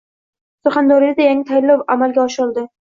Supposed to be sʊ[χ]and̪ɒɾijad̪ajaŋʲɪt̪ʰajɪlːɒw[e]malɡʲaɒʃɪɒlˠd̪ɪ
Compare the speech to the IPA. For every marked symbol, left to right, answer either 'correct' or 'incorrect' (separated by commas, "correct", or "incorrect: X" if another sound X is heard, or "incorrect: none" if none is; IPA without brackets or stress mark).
correct, incorrect: a